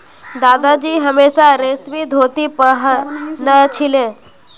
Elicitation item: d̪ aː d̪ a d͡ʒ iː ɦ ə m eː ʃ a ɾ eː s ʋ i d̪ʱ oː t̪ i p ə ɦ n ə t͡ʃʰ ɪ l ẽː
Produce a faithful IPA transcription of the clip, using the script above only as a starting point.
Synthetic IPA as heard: d̪ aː d̪ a d͡ʒ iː ɦ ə m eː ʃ a ɾ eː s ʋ i d̪ʱ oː t̪ i p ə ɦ n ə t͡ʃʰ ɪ l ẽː

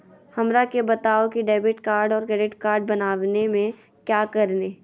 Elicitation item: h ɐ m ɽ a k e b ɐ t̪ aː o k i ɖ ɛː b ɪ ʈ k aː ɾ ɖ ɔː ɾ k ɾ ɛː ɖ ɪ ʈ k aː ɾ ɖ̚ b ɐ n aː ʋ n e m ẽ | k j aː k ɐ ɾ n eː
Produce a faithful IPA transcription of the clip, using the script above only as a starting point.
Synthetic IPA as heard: h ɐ m ɾ a k e b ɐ t̪ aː o k i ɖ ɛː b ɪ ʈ k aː ɾ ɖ ɔː ɾ k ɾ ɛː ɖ ɪ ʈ k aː ɾ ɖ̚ b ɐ n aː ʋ n e m ẽ | k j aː k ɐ ɾ n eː

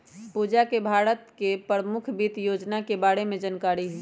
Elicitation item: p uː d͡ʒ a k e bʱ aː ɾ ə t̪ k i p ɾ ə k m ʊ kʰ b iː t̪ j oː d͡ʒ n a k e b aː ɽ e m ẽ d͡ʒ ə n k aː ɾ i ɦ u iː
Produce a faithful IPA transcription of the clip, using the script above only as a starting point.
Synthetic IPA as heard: p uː d͡ʒ a k e bʱ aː ɾ ə t̪ k e p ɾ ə m ʊ kʰ b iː t̪ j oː d͡ʒ n a k e b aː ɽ e m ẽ d͡ʒ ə n k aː ɾ i ɦ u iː

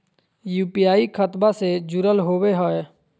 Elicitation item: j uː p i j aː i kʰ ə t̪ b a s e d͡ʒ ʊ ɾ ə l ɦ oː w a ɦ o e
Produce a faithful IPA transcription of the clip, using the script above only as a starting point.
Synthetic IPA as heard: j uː p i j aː i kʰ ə t̪ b a s e d͡ʒ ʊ ɾ ə l ɦ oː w e ɦ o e

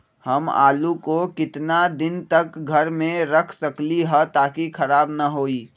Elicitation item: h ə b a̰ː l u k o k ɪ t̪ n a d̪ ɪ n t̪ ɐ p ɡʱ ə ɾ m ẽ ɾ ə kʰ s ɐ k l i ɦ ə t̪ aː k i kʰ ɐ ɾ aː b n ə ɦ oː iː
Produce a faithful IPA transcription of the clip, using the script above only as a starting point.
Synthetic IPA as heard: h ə m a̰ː l u k o k ɪ t̪ n a d̪ ɪ n t̪ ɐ k ɡʱ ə ɾ m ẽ ɾ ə kʰ s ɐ k l i ɦ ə t̪ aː k i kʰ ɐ ɾ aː b n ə ɦ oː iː

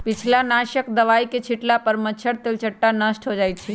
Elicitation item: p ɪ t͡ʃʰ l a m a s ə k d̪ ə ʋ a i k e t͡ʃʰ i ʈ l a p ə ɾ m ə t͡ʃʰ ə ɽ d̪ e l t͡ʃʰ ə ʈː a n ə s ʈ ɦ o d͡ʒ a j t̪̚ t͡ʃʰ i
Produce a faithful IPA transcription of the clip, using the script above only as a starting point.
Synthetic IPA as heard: p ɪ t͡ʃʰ l a n a ʃ ə k d̪ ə ʋ a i k e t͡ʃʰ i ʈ l a p ə ɾ m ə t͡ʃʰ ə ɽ t̪ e l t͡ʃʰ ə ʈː a n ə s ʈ ɦ o d͡ʒ a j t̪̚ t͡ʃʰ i

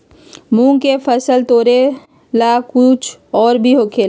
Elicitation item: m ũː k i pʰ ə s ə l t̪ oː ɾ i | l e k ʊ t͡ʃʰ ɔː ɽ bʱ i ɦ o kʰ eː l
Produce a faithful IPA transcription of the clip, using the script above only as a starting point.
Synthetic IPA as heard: m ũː k e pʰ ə s ə l t̪ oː ɾ e | l a k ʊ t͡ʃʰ ɔː ɾ bʱ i ɦ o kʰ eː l

